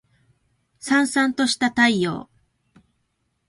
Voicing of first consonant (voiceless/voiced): voiceless